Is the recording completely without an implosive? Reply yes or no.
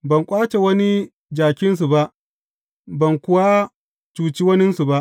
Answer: yes